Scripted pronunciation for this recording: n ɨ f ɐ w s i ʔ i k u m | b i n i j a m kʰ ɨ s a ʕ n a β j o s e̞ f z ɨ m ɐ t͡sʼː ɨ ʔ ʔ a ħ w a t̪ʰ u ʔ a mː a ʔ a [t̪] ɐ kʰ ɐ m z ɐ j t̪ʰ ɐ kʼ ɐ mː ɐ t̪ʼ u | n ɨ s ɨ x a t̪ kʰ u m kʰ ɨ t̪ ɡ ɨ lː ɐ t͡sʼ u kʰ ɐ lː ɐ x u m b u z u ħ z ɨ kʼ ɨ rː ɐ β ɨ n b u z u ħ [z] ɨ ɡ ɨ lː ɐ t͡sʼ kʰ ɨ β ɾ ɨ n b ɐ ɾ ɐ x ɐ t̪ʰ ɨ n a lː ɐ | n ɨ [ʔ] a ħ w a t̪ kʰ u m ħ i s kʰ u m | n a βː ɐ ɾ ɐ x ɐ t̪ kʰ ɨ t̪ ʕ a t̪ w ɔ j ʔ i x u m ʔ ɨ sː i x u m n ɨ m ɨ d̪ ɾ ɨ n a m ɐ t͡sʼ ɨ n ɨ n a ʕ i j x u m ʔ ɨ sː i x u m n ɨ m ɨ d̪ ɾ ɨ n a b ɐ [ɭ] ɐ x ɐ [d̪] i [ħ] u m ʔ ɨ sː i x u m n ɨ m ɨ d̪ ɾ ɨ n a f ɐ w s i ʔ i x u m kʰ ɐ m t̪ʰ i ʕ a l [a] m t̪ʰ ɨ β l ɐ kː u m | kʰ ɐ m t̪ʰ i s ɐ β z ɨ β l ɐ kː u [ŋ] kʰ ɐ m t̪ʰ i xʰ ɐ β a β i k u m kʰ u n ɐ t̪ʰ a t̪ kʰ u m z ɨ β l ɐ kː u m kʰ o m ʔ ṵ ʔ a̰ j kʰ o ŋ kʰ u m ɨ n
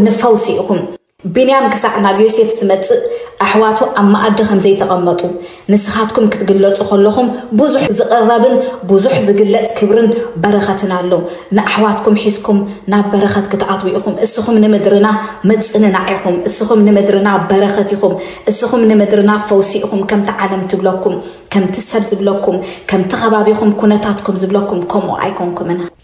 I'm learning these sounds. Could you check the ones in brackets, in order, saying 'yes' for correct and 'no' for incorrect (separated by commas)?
no, yes, yes, no, no, no, no, no